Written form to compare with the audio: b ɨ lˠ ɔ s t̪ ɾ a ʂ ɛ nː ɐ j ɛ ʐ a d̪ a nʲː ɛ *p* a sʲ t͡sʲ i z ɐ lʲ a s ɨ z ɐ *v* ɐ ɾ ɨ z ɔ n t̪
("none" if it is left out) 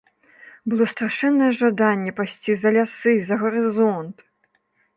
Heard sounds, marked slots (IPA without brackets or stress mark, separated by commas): p, ɣ